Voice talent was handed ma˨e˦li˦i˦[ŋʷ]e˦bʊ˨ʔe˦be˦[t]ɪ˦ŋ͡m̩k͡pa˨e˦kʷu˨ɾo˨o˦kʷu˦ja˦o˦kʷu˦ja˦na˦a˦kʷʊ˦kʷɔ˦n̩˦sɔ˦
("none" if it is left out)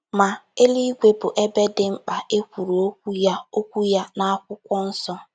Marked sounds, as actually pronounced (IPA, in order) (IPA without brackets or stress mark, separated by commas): ɡʷ, d